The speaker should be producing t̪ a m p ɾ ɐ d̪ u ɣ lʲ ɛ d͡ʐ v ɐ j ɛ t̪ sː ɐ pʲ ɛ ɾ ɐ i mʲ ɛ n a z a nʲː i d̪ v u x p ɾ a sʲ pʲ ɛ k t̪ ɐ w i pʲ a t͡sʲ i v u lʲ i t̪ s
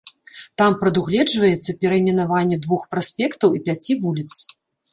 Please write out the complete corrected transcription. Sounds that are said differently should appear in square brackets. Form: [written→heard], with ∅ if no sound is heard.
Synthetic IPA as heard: t̪ a m p ɾ ɐ d̪ u ɣ lʲ ɛ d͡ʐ v ɐ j ɛ t̪ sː ɐ pʲ ɛ ɾ ɐ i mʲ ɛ n a [z→v] a nʲː [i→ɛ] d̪ v u x p ɾ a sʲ pʲ ɛ k t̪ ɐ w i pʲ a t͡sʲ i v u lʲ i t̪ s